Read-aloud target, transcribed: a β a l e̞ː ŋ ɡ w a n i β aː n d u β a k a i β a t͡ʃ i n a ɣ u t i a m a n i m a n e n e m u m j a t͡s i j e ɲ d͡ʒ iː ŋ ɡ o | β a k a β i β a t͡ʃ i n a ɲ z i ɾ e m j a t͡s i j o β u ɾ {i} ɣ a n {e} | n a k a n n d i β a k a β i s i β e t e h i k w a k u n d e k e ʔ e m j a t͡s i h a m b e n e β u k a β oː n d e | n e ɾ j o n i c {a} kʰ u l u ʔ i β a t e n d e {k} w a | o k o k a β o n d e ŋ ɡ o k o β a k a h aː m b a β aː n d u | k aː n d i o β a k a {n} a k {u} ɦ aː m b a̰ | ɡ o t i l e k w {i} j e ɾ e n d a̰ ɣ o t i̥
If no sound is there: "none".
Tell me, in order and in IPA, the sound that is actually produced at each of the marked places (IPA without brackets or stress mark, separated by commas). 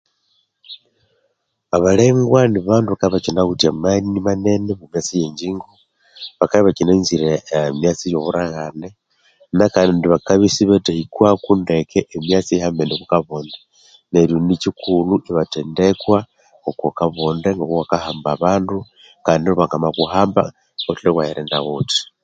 a, e, i, k, m, u, a